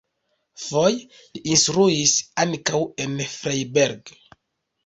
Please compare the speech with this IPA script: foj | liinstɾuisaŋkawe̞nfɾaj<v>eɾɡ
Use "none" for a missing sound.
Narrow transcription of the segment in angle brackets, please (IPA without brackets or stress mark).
b